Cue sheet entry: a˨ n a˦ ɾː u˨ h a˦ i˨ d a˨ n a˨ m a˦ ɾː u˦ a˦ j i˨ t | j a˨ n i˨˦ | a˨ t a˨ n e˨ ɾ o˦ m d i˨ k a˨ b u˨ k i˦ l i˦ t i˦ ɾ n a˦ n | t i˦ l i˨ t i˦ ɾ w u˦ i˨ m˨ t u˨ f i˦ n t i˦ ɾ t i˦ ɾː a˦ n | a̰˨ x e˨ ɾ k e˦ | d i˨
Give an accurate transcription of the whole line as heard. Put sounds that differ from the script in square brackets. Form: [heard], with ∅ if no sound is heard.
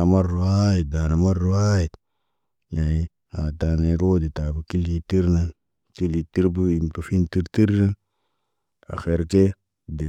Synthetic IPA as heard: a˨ [m] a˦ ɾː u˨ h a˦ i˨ d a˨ n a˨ m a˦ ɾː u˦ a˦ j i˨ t | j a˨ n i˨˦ | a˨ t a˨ n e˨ ɾ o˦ [∅] d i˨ [t] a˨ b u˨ k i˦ l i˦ t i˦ ɾ n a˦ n | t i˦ l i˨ t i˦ ɾ [b] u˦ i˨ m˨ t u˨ f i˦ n t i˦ ɾ t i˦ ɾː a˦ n | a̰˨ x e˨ ɾ k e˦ | d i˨